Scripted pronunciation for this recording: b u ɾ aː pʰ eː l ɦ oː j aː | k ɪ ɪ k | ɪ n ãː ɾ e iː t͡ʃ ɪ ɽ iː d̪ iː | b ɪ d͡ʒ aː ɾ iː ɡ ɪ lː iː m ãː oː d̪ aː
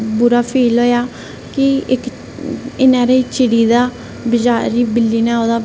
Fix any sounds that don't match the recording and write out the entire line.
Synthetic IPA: b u ɾ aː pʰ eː l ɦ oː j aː | k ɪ ɪ k | ɪ n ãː ɾ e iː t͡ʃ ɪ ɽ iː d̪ aː | b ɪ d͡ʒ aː ɾ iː b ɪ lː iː n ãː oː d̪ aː